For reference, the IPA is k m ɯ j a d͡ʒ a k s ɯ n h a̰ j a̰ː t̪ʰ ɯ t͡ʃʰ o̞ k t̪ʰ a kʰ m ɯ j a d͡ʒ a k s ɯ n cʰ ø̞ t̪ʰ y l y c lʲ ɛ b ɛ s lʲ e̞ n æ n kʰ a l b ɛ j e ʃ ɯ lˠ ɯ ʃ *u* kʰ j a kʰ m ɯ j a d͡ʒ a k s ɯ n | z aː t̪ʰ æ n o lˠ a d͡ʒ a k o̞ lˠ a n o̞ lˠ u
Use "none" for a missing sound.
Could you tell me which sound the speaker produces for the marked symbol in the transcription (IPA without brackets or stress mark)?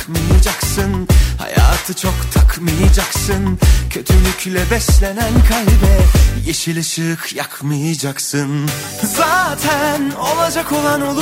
ɯ